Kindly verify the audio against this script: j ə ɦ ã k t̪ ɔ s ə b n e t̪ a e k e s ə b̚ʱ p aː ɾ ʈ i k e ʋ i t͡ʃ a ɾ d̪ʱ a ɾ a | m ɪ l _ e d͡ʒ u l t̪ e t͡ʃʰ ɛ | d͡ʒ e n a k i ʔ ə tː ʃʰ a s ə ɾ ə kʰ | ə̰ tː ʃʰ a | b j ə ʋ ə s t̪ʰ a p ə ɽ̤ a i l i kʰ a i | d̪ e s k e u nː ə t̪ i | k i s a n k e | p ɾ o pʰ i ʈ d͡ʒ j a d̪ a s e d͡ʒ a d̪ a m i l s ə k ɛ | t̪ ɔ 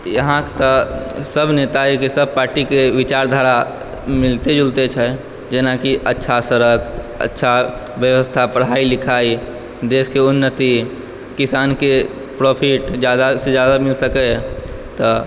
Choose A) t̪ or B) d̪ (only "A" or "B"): A